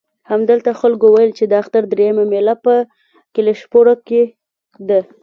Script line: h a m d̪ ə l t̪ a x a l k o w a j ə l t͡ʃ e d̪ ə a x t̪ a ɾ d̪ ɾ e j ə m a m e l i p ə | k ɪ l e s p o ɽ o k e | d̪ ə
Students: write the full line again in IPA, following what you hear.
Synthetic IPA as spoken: h a m d̪ ə l t̪ a x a l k o w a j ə l t͡ʃ e d̪ ə a x t̪ a ɾ d̪ ɾ e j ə m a m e l a p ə | k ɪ l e ʃ p o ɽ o k e | d̪ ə

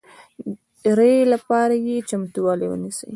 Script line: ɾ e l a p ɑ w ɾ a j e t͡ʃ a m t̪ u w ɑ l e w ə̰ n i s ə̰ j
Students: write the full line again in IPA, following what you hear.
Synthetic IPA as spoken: ɾ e l a p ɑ ɾ a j e t͡ʃ a m t̪ u w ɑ l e w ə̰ n i s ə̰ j

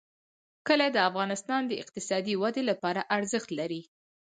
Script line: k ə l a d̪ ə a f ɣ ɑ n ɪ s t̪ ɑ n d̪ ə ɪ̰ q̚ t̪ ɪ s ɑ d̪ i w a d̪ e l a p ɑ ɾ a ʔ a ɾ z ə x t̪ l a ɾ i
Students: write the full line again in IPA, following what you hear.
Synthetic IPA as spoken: k ə l a d̪ ə a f ɣ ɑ n ɪ s t̪ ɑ n d̪ ə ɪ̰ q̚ t̪ ɪ s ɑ d̪ i w a d̪ e l a p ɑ ɾ a ʔ a ɾ z ə x t̪ l a ɾ i

